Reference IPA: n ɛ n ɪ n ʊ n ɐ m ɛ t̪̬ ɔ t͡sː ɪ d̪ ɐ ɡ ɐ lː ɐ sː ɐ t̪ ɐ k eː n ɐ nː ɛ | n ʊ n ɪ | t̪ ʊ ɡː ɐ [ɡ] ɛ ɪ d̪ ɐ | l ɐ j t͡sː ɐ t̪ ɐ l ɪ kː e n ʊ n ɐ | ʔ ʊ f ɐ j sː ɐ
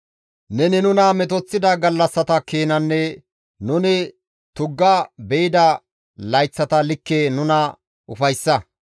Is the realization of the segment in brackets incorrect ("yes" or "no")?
yes